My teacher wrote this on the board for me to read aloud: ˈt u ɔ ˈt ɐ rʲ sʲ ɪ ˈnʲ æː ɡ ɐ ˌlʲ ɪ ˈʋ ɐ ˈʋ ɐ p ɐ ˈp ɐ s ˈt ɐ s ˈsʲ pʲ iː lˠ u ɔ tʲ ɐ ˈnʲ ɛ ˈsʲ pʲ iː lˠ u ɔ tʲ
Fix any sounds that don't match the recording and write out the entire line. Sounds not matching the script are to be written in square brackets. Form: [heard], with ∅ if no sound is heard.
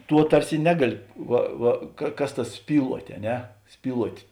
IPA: ˈt u ɔ ˈt ɐ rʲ sʲ ɪ ˈnʲ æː ɡ ɐ ˌlʲ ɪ ˈʋ ɐ ˈʋ ɐ [k] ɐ [ˈk] ɐ s ˈt ɐ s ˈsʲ pʲ iː lˠ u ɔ tʲ ɐ ˈnʲ ɛ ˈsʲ pʲ iː lˠ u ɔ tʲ